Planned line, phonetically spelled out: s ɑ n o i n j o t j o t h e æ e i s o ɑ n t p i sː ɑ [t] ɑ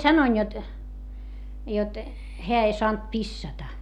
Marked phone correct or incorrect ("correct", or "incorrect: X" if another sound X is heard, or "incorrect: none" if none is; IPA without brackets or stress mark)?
correct